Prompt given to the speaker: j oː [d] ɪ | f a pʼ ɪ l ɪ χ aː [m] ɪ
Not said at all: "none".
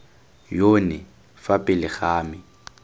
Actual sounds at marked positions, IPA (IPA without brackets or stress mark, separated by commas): n, m